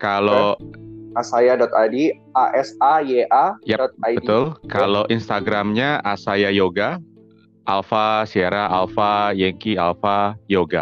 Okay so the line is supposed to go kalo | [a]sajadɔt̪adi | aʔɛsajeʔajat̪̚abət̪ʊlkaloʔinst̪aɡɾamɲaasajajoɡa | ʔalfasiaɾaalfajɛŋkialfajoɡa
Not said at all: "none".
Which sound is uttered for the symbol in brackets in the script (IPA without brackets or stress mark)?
a